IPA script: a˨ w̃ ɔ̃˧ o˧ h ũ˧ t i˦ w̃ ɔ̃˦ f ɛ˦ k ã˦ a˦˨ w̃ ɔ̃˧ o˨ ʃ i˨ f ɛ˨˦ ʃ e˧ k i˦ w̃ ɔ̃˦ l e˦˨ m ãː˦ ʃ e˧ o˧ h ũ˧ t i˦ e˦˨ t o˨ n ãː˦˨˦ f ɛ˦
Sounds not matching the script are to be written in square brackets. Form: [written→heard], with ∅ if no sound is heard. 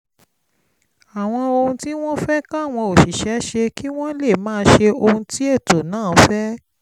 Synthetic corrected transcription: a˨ w̃ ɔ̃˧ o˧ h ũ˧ t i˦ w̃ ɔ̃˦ f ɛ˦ k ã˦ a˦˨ w̃ ɔ̃˧ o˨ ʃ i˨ [f→ʃ] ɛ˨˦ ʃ e˧ k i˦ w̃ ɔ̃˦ l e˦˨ m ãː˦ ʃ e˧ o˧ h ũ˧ t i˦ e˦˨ t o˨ n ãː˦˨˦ f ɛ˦